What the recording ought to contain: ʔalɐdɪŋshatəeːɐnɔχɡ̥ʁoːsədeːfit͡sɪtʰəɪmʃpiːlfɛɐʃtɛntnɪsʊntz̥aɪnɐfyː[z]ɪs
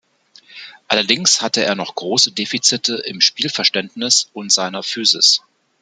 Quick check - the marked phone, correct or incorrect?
correct